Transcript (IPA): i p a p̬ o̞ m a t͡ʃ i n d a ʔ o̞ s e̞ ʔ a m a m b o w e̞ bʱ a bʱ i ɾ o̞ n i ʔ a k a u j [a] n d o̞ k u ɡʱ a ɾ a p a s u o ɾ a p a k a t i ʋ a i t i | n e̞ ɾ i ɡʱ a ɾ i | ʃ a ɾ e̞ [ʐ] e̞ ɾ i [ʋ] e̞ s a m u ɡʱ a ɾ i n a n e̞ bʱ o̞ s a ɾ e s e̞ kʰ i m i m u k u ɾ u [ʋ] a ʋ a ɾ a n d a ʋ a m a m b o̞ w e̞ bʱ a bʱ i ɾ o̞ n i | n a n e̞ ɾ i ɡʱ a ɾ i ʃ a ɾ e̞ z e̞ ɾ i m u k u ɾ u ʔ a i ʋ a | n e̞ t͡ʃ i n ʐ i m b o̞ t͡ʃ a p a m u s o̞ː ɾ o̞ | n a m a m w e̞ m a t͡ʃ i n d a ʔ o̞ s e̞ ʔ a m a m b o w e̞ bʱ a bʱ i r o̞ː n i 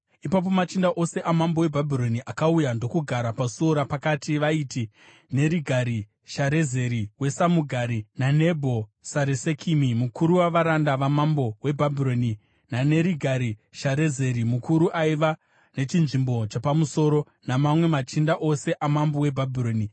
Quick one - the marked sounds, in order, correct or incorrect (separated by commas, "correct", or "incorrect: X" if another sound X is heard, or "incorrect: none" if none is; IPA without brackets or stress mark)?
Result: correct, incorrect: z, incorrect: w, incorrect: w